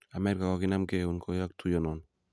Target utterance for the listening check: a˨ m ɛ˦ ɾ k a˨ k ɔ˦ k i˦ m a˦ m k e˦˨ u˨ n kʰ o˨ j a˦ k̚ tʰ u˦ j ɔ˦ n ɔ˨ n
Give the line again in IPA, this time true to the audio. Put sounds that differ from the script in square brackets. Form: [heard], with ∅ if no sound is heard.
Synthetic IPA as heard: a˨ m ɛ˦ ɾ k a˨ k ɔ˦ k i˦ [n] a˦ m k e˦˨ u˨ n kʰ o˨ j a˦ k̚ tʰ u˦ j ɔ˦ n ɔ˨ n